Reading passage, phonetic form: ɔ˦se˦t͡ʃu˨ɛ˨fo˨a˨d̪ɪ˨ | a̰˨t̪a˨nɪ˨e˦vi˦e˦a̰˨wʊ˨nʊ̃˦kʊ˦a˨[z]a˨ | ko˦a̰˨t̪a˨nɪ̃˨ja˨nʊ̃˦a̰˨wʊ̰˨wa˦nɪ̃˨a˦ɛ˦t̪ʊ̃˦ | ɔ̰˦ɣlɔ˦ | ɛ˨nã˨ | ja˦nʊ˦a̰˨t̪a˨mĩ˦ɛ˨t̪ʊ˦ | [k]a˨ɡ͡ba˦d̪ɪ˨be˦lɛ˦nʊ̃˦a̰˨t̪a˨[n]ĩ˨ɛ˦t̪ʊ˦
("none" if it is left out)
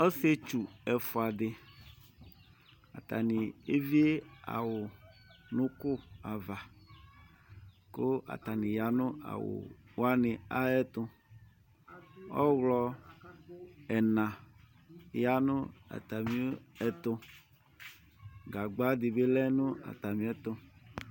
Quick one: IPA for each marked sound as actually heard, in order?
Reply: v, ɡ, m

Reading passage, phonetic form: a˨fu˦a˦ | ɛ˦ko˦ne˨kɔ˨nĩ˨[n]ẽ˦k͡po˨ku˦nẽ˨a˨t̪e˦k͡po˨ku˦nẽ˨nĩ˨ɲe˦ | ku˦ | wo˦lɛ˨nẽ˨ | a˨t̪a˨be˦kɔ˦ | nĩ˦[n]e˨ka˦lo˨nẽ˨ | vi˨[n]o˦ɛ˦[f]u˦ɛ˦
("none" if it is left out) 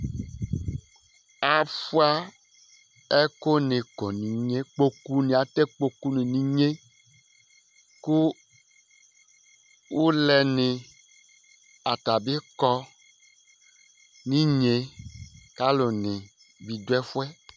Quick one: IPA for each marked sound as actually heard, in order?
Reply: ɲ, ɲ, d, f

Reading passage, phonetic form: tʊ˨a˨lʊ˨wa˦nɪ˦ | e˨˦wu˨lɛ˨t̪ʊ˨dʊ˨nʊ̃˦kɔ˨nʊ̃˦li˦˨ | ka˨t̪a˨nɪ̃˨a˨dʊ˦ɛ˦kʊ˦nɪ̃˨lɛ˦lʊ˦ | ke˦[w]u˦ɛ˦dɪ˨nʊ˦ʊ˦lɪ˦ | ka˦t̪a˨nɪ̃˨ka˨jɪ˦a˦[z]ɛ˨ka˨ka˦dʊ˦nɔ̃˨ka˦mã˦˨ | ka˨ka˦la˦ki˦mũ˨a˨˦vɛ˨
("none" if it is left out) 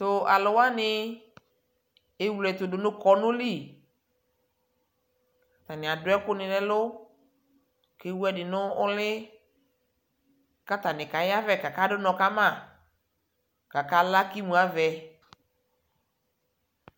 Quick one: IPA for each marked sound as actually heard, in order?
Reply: w, v

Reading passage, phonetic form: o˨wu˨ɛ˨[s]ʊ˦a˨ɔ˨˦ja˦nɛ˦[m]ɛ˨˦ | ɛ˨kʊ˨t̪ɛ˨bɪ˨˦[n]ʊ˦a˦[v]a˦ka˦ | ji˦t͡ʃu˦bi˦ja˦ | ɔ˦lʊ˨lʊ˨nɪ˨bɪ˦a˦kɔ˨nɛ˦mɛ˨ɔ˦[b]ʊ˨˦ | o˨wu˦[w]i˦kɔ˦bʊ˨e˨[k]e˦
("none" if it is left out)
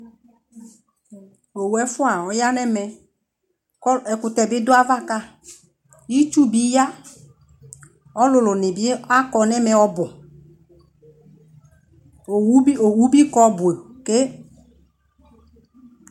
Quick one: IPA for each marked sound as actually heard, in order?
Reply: f, m, d, v, b, b, k

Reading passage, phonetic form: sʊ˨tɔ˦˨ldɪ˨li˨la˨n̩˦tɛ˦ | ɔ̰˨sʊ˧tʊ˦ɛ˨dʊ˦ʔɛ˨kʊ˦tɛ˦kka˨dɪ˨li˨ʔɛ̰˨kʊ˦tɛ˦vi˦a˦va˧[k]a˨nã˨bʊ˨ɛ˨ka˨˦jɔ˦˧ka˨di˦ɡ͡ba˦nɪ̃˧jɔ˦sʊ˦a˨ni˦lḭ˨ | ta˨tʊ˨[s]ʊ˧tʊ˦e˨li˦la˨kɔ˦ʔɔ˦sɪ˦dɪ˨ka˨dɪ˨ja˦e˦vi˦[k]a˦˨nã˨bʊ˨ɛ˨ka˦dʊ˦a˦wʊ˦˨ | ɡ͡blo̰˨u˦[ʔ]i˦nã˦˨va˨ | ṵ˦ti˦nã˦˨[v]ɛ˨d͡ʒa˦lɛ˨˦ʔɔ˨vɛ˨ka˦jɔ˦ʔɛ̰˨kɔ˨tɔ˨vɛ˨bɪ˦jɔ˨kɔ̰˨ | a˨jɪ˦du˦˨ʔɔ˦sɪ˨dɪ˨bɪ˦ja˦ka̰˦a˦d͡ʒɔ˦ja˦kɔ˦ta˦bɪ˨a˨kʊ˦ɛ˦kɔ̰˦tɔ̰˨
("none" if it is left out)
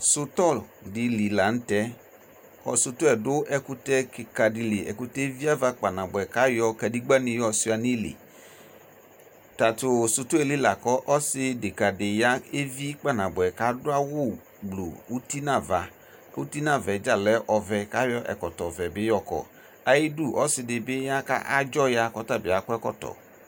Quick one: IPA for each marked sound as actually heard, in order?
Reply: k͡p, s, k͡p, t, v

